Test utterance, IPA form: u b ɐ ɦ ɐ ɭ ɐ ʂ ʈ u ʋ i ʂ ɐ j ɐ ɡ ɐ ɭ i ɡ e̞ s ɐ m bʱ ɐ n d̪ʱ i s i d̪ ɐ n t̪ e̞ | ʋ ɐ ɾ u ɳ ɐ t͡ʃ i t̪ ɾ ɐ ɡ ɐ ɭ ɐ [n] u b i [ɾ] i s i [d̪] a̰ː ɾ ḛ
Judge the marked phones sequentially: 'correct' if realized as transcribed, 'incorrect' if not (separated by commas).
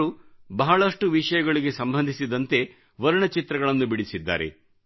incorrect, incorrect, incorrect